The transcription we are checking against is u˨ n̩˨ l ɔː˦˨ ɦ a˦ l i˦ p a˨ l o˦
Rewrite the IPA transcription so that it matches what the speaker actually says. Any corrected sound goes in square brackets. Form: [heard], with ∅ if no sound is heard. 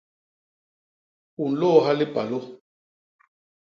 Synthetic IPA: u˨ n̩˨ l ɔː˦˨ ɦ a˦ l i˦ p a˨ l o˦